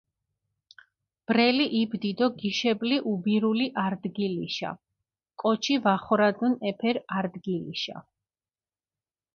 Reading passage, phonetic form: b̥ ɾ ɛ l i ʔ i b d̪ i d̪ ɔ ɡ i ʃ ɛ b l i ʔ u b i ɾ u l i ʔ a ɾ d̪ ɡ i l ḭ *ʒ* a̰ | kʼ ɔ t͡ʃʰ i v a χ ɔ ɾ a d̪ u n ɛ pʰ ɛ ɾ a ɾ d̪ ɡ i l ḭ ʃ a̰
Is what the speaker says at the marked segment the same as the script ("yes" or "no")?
no